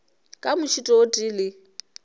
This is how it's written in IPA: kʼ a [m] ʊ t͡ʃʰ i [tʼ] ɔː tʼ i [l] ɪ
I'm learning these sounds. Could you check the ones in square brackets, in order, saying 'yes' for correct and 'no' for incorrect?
yes, yes, yes

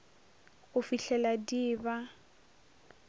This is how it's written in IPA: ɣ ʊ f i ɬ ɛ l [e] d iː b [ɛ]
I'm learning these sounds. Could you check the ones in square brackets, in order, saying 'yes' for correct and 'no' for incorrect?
no, no

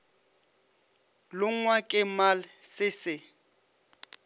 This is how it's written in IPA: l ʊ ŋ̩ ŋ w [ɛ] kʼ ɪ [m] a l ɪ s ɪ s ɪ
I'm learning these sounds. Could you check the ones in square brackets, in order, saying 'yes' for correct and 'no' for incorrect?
no, yes

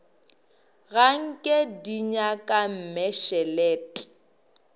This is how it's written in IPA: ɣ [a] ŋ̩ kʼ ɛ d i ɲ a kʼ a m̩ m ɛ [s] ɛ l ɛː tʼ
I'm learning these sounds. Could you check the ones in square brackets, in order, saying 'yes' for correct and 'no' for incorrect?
yes, no

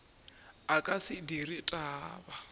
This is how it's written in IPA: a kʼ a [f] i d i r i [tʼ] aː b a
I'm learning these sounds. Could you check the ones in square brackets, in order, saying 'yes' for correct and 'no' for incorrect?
no, yes

